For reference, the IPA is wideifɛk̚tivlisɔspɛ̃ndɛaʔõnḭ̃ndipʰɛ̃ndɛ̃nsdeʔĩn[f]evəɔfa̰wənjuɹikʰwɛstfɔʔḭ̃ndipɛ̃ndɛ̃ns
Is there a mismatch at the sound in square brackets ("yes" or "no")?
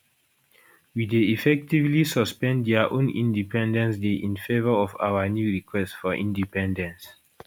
no